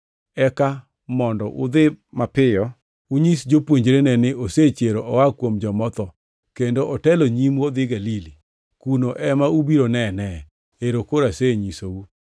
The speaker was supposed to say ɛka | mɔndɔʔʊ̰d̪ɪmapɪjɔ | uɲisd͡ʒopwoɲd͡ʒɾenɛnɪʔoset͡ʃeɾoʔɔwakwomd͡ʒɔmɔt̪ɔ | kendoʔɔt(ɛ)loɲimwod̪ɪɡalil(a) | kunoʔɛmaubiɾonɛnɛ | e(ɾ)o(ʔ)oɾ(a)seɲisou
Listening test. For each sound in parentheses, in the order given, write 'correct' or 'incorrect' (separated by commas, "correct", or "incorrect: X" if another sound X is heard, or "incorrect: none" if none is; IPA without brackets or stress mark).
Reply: correct, incorrect: i, correct, incorrect: k, correct